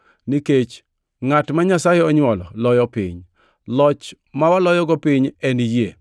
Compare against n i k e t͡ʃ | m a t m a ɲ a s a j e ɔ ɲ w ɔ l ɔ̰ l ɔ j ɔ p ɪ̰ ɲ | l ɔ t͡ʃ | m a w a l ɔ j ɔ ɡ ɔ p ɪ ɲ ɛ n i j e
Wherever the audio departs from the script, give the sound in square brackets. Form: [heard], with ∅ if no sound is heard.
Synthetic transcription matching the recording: n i k e t͡ʃ | [ŋ] a t m a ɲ a s a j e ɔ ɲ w ɔ l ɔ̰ l ɔ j ɔ p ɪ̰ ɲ | l ɔ t͡ʃ | m a w a l ɔ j ɔ ɡ ɔ p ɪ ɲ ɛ n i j e